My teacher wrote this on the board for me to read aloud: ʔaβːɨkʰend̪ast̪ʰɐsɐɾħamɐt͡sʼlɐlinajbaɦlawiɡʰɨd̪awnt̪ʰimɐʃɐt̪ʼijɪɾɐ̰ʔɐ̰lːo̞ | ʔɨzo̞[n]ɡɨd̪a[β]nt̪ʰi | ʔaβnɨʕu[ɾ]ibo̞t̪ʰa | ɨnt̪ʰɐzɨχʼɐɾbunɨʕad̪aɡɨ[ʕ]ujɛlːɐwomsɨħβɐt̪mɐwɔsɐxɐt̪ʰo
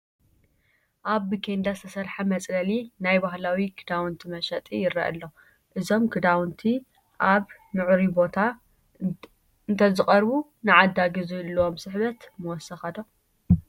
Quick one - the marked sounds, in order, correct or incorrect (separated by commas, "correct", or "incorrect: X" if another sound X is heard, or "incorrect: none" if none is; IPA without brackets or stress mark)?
incorrect: m, incorrect: w, correct, incorrect: z